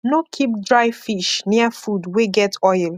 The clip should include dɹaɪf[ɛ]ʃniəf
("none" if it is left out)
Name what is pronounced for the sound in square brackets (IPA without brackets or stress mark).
i